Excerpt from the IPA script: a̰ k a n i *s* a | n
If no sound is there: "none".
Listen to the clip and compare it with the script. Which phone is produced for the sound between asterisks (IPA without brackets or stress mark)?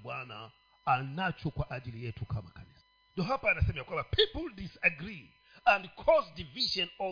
s